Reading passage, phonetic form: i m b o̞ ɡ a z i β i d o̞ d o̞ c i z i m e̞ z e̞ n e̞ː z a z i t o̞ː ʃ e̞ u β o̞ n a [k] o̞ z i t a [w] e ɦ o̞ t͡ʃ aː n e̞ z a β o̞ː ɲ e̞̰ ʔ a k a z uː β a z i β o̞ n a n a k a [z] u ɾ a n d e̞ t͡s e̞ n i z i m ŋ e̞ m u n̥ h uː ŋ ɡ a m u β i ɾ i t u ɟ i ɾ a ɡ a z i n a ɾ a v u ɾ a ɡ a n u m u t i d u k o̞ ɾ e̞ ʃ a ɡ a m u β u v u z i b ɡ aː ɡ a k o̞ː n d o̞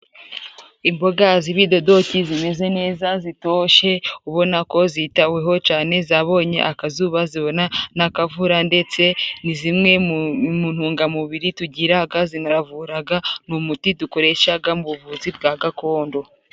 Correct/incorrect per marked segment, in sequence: correct, correct, incorrect

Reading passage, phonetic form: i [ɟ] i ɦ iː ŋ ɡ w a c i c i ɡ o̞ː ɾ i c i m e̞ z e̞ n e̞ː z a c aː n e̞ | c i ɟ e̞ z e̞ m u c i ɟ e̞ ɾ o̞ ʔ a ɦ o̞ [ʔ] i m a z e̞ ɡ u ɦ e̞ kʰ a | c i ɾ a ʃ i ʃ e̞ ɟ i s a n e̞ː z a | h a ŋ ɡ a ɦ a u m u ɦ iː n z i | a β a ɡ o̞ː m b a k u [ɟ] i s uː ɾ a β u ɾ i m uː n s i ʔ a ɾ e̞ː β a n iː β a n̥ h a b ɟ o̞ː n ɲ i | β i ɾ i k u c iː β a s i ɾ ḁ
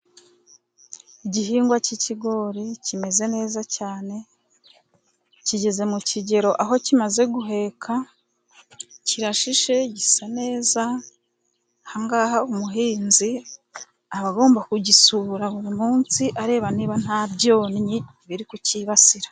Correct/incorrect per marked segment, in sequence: correct, incorrect, correct

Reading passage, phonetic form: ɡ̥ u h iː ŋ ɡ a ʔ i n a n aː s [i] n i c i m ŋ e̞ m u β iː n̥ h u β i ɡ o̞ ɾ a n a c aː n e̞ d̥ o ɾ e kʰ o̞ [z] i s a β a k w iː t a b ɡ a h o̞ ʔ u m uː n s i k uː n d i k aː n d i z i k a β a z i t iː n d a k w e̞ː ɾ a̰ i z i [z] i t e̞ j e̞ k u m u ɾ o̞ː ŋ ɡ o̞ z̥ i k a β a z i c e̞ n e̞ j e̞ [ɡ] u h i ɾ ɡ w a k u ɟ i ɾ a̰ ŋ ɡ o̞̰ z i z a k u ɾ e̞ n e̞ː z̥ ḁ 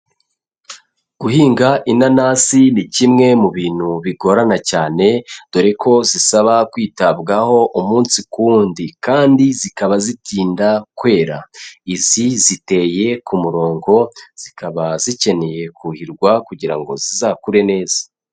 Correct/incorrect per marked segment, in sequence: correct, correct, correct, incorrect

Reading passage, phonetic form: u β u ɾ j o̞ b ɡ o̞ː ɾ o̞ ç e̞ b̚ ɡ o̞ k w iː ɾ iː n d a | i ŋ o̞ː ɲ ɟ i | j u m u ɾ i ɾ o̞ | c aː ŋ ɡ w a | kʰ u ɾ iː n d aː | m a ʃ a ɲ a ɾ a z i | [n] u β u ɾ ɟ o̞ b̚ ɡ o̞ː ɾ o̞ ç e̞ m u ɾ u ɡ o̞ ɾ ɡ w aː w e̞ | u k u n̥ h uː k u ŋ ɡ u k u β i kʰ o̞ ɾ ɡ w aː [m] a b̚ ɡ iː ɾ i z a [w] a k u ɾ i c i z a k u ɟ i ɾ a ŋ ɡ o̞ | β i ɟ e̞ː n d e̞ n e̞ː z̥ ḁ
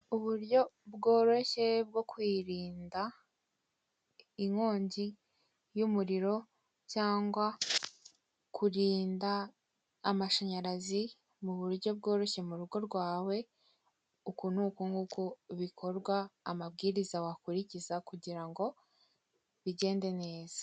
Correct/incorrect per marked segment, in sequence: incorrect, correct, correct

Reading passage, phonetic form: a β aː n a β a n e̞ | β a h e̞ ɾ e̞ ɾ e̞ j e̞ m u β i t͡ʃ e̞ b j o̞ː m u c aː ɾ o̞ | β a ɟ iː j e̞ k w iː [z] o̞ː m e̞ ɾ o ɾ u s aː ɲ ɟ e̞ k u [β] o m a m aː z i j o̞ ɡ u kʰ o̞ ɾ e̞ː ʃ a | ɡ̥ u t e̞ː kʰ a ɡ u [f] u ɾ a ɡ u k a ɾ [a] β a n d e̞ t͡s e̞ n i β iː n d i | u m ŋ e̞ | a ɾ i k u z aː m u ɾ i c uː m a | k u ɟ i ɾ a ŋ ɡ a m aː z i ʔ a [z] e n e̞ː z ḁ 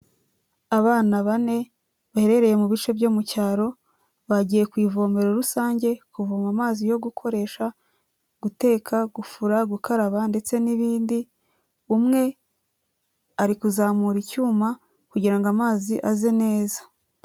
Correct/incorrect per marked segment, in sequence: incorrect, incorrect, correct, correct, correct

